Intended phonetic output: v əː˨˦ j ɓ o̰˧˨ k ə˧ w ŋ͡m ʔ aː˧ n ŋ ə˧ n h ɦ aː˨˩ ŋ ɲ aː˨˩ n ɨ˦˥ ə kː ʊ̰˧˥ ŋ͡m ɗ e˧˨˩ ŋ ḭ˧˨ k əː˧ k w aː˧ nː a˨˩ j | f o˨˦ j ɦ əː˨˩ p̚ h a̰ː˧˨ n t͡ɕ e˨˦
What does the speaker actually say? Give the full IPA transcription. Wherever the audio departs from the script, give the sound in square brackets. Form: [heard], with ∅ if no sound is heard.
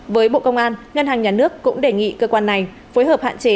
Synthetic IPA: v əː˨˦ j ɓ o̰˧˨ k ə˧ w ŋ͡m ʔ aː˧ n ŋ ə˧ n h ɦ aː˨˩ ŋ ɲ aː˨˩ n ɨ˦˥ ə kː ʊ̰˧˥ ŋ͡m ɗ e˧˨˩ ŋ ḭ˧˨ k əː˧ k w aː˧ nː a˨˩ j | f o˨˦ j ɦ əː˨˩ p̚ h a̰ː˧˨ n t͡ɕ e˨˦